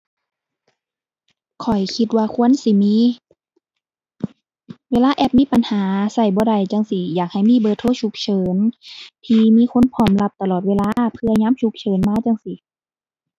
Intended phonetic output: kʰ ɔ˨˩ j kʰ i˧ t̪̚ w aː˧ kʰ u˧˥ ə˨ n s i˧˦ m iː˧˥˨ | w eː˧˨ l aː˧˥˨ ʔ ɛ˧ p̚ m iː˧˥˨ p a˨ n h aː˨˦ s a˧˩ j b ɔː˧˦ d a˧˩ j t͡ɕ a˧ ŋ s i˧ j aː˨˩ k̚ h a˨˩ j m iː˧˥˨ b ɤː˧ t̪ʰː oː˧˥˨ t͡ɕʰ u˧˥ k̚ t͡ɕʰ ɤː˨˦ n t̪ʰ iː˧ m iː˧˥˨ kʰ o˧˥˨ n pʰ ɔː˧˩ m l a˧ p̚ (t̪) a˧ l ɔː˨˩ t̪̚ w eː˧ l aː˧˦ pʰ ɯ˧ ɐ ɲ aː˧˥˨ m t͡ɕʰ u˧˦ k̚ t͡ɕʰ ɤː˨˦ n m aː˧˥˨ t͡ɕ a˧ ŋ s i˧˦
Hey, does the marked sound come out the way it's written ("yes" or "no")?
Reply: yes